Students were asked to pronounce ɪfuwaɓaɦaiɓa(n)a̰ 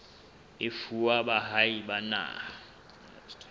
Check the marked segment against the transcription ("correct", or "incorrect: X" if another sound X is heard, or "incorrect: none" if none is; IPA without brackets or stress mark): correct